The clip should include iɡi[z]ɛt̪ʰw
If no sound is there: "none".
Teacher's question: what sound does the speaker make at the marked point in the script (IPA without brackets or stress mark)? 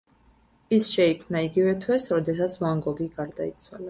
v